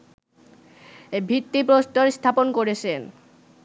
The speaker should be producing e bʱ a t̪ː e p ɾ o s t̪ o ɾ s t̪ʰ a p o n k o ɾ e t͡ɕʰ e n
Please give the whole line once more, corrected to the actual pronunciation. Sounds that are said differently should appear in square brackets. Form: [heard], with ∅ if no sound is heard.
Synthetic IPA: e bʱ [i] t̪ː [i] p ɾ o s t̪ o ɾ s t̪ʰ a p o n k o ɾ e t͡ɕʰ e n